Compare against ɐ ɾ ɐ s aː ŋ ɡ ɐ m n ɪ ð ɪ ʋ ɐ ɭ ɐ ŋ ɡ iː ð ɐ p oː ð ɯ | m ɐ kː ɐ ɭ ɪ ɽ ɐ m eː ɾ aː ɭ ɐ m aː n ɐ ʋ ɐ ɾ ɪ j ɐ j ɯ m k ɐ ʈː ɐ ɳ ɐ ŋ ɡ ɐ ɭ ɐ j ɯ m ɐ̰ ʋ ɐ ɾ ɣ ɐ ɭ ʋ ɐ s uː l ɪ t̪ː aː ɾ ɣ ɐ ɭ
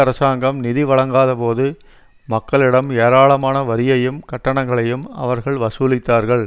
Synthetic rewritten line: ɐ ɾ ɐ s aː ŋ ɡ ɐ m n ɪ ð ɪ ʋ ɐ ɭ ɐ ŋ ɡ aː ð ɐ p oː ð ɯ | m ɐ kː ɐ ɭ ɪ ɽ ɐ m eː ɾ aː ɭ ɐ m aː n ɐ ʋ ɐ ɾ ɪ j ɐ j ɯ m k ɐ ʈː ɐ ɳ ɐ ŋ ɡ ɐ ɭ ɐ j ɯ m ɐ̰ ʋ ɐ ɾ ɣ ɐ ɭ ʋ ɐ s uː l ɪ t̪ː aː ɾ ɣ ɐ ɭ